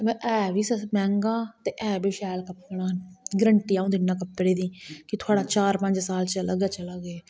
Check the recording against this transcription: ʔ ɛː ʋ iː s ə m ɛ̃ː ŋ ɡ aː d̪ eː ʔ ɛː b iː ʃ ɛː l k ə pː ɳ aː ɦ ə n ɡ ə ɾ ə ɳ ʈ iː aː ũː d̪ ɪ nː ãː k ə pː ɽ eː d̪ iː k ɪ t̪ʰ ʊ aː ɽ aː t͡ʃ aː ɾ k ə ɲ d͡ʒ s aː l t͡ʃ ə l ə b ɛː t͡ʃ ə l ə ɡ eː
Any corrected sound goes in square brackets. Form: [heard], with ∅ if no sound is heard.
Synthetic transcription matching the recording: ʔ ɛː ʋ iː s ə m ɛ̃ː ŋ ɡ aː [t̪] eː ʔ ɛː b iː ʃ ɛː l k ə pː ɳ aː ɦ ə n ɡ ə ɾ ə ɳ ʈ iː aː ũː d̪ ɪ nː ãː k ə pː ɽ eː d̪ iː k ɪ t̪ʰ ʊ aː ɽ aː t͡ʃ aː ɾ [p] ə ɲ d͡ʒ s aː l t͡ʃ ə l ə [ɡ] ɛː t͡ʃ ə l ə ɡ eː

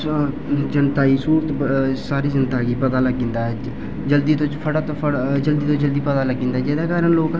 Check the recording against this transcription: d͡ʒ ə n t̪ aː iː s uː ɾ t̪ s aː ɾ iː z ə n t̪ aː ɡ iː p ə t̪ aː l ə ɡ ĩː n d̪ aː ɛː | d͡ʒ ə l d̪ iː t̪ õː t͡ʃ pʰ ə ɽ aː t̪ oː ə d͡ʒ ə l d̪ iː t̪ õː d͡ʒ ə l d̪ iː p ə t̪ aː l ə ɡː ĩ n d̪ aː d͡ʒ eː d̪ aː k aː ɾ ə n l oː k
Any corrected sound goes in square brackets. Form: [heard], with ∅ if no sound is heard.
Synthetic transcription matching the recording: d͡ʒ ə n t̪ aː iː s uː ɾ t̪ s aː ɾ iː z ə n t̪ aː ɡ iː p ə t̪ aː l ə ɡ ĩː n d̪ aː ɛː | d͡ʒ ə l d̪ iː t̪ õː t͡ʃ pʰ ə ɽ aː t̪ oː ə d͡ʒ ə l d̪ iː t̪ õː d͡ʒ ə l d̪ iː p ə t̪ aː l ə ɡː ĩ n d̪ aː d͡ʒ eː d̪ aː k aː ɾ ə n l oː k

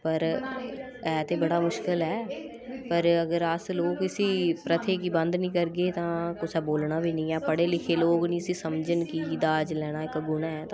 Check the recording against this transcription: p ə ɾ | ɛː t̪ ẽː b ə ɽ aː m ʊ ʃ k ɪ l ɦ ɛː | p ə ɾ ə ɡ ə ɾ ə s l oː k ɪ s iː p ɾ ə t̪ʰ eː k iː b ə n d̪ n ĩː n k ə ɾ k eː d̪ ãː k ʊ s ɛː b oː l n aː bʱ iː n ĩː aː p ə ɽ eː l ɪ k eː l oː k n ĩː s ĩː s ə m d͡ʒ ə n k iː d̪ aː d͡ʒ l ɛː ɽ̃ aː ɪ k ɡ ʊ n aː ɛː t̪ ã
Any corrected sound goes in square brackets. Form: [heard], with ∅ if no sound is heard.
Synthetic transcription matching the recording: p ə ɾ | ɛː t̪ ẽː b ə ɽ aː m ʊ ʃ k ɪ l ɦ ɛː | p ə ɾ ə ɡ ə ɾ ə s l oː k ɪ s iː p ɾ ə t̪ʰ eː k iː b ə n d̪ n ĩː [∅] k ə ɾ [ɡ] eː [t̪] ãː k ʊ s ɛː b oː l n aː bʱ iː n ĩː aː p ə ɽ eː l ɪ [kʰ] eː l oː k n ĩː s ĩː s ə m d͡ʒ ə n k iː d̪ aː d͡ʒ l ɛː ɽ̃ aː ɪ k ɡ ʊ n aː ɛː t̪ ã

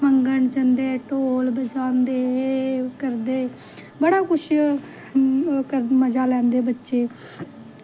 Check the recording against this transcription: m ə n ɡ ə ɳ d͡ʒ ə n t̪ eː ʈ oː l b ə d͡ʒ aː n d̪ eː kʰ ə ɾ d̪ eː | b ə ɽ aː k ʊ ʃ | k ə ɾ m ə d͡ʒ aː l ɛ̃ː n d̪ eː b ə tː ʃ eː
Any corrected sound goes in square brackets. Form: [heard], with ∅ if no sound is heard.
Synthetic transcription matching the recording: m ə [ŋ] ɡ ə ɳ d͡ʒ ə n [d̪] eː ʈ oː l b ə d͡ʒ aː n d̪ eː [k] ə ɾ d̪ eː | b ə ɽ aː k ʊ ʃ | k ə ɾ m ə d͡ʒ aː l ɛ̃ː n d̪ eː b ə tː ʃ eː

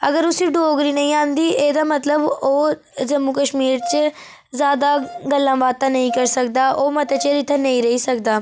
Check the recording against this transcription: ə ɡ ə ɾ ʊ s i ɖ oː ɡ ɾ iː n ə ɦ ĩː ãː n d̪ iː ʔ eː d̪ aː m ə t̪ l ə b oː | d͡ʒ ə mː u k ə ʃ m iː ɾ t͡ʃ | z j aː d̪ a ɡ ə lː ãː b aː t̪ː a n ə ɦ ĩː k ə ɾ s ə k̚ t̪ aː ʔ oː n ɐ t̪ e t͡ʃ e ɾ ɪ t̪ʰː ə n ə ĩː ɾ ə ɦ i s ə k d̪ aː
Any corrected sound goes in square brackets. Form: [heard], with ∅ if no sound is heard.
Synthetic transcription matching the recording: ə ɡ ə ɾ ʊ s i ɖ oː ɡ ɾ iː n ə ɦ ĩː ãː n d̪ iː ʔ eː d̪ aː m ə t̪ l ə b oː | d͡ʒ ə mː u k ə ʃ m iː ɾ t͡ʃ | z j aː d̪ a ɡ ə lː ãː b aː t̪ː a n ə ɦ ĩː k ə ɾ s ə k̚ [d̪] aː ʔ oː [m] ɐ t̪ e t͡ʃ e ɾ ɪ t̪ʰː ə n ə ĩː ɾ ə ɦ i s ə k d̪ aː

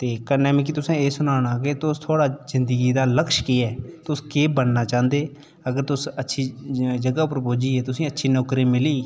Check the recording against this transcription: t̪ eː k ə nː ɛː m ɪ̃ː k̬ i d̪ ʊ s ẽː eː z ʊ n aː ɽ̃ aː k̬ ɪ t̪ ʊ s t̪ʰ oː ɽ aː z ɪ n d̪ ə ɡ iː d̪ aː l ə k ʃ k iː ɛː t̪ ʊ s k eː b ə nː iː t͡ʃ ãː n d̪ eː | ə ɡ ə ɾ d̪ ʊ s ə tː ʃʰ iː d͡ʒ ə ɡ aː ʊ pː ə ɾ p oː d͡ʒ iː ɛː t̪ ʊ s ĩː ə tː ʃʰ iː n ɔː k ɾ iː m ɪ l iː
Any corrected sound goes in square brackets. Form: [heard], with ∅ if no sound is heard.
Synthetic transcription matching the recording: t̪ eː k ə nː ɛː m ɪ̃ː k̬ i [t̪] ʊ s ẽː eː [s] ʊ n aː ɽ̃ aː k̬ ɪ t̪ ʊ s t̪ʰ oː ɽ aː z ɪ n d̪ ə ɡ iː d̪ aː l ə k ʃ k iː ɛː t̪ ʊ s k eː b ə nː [aː] t͡ʃ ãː n d̪ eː | ə ɡ ə ɾ [t̪] ʊ s ə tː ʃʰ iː d͡ʒ ə ɡ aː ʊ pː ə ɾ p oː d͡ʒ iː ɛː t̪ ʊ s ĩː ə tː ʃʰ iː n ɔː k ɾ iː m ɪ l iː

